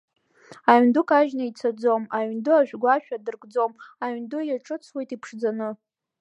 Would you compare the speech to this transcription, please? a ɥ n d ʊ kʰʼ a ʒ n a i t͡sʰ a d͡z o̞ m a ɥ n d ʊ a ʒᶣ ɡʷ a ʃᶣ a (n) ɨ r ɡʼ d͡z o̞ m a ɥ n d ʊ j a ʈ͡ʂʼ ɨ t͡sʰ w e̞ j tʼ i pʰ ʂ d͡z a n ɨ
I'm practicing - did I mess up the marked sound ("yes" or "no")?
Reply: yes